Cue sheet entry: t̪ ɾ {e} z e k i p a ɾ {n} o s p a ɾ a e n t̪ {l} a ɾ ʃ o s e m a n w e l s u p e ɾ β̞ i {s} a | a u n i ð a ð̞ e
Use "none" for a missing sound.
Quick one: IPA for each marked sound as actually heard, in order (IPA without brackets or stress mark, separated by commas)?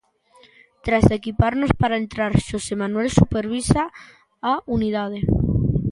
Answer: a, n, ɾ, s